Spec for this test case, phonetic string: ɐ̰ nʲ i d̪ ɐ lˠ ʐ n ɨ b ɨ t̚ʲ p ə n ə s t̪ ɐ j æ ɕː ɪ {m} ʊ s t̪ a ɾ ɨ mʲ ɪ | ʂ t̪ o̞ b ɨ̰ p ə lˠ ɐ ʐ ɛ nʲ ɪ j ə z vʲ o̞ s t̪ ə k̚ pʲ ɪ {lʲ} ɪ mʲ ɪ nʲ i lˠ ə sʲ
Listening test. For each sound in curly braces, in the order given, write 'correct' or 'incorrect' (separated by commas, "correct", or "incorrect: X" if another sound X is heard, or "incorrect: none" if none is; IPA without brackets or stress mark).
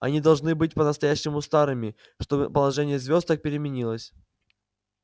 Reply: correct, incorrect: ɾʲ